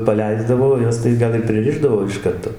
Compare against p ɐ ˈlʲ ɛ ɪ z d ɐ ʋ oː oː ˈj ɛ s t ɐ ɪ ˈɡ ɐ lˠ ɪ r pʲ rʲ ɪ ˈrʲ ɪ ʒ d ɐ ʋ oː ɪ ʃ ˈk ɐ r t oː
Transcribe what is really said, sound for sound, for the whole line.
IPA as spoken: p ɐ ˈlʲ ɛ ɪ z d ɐ ʋ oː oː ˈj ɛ s t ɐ ɪ ˈɡ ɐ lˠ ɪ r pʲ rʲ ɪ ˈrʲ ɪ ʒ d ɐ ʋ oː ɪ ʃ ˈk ɐ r t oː